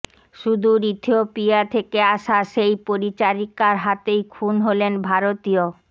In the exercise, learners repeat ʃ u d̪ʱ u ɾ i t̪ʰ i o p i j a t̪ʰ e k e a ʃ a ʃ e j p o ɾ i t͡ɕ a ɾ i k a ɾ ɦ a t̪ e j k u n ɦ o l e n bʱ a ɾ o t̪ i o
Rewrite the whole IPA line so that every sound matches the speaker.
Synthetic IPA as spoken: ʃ u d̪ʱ u ɾ i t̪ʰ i o p i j a t̪ʰ e k e a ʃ a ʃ e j p o ɾ i t͡ɕ a ɾ i k a ɾ ɦ a t̪ e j kʰ u n ɦ o l e n bʱ a ɾ o t̪ i o